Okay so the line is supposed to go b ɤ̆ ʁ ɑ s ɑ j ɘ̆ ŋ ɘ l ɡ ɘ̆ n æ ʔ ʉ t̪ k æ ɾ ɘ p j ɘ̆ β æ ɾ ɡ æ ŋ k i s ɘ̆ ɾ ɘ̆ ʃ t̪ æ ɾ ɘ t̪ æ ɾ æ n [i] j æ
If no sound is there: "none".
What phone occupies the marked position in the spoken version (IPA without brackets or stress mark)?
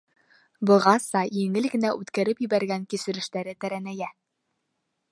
æ